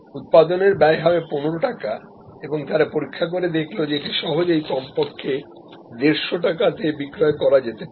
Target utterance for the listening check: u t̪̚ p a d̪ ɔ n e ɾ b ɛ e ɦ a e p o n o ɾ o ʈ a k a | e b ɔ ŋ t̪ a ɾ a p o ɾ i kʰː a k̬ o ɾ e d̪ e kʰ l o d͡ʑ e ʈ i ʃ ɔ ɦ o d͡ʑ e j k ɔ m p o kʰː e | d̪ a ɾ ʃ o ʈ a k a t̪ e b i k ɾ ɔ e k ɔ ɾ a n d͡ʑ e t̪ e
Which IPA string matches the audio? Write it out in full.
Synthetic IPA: u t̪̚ p a d̪ o n e ɾ b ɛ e ɦ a e p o n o ɾ o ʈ a k a | e b o ŋ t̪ a ɾ a p o ɾ i kʰː a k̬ o ɾ e d̪ e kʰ l o d͡ʑ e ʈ i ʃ ɔ ɦ o d͡ʑ e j k ɔ m p o kʰː e | d̪ e ɾ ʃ o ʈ a k a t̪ e b i k ɾ ɔ e k ɔ ɾ a d͡ʑ e t̪ e

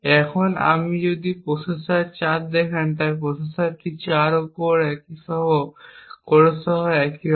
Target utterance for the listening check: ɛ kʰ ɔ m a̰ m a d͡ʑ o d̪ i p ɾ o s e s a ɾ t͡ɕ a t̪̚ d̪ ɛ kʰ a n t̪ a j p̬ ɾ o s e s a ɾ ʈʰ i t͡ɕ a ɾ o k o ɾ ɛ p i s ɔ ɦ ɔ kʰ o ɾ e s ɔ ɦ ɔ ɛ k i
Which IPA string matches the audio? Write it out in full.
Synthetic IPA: ɛ kʰ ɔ n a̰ m i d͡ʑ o d̪ i p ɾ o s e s a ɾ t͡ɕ a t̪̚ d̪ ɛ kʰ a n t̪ a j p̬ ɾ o s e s a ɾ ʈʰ i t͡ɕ a ɾ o k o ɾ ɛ k i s ɔ ɦ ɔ k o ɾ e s ɔ ɦ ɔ ɛ k i

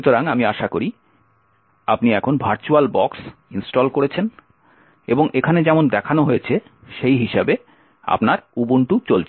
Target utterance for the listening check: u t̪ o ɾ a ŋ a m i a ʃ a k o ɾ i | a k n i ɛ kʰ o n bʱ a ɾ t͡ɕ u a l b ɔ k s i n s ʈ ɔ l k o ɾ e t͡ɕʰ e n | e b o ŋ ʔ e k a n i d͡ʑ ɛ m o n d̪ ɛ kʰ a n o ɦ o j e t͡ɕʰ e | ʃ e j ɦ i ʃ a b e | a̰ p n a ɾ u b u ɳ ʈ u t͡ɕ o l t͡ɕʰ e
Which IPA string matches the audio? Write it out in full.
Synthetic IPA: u t̪ o ɾ a ŋ a m i a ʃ a k o ɾ i | a p n i ɛ kʰ o n bʱ a ɾ t͡ɕ u a l b ɔ k s i n s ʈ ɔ l k o ɾ e t͡ɕʰ e n | e b o ŋ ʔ e kʰ a n e d͡ʑ ɛ m o n d̪ ɛ kʰ a n o ɦ o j e t͡ɕʰ e | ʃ e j ɦ i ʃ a b e | a̰ p n a ɾ u b u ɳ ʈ u t͡ɕ o l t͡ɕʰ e

